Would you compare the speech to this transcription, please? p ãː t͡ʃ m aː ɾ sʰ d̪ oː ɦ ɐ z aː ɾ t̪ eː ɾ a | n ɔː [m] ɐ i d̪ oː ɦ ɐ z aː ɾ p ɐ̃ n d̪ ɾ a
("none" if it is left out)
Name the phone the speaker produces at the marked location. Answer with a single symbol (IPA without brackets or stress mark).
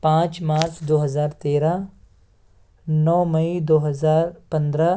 m